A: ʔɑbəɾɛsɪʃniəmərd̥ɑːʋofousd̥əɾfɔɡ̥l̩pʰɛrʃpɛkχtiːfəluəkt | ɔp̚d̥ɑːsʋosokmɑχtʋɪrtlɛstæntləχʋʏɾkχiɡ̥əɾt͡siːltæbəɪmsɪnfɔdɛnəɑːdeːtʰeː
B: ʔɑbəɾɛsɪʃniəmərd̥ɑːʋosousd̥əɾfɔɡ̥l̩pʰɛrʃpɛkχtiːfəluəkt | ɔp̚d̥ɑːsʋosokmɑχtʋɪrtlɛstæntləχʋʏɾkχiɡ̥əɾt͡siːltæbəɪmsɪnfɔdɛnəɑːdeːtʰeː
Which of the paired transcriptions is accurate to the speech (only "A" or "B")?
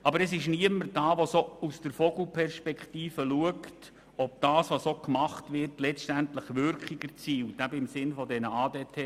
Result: B